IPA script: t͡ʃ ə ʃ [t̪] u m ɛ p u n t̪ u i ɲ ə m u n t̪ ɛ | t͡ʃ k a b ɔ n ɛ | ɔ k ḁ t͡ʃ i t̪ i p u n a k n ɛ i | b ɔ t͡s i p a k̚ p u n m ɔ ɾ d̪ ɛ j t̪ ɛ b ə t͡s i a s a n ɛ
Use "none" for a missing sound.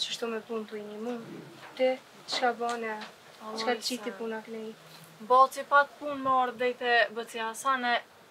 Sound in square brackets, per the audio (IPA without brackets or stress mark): t̪